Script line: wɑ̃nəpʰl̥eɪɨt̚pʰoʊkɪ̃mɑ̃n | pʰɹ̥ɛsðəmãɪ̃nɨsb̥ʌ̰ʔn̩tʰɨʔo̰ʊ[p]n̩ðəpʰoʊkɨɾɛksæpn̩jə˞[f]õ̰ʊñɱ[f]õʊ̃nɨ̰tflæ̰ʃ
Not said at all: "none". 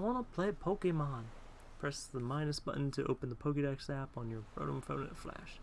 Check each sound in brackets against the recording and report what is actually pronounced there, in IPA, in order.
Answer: p, f, f

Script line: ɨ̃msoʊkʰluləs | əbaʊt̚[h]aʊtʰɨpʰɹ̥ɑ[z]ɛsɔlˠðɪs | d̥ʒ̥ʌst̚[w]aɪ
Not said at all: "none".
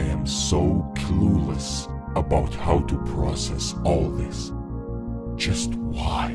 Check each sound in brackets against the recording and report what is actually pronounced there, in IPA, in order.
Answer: h, s, w

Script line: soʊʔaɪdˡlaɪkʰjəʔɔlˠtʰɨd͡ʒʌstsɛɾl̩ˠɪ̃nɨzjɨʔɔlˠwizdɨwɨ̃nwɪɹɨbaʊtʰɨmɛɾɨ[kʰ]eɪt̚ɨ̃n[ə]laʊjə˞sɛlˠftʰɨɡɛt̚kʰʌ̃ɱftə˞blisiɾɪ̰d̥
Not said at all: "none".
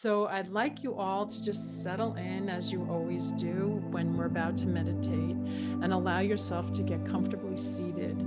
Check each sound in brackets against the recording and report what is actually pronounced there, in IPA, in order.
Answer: tʰ, ə

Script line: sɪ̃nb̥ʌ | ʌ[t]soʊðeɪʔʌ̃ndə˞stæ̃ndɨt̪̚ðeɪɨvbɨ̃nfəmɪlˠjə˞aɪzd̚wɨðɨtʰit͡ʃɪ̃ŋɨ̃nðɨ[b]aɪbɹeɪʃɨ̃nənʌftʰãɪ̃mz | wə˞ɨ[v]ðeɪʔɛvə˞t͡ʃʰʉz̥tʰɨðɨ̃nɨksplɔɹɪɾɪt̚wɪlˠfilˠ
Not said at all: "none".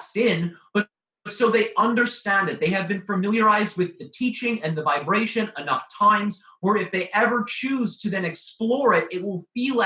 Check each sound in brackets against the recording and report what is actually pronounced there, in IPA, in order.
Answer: t, v, f

